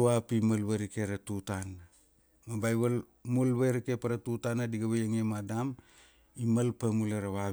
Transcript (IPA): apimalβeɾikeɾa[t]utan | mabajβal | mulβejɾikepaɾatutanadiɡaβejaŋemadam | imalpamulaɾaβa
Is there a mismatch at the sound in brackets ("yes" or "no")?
no